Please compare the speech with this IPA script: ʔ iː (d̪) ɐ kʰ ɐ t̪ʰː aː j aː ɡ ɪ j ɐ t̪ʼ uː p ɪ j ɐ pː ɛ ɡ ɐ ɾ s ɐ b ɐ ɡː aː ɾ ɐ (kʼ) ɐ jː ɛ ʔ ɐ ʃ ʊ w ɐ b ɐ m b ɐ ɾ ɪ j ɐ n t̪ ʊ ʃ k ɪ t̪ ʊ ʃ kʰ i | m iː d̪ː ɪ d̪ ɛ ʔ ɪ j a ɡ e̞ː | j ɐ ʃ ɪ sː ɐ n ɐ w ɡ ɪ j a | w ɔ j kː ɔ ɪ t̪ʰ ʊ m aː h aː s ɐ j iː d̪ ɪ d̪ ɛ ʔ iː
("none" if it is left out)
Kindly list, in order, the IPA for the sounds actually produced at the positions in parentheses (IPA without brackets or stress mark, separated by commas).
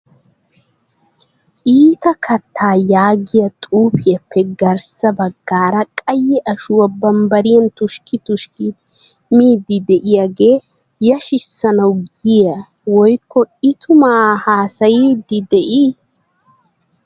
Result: t̪, kʼ